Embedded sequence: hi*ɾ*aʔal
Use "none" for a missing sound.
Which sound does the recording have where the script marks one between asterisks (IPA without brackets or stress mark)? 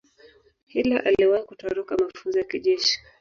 l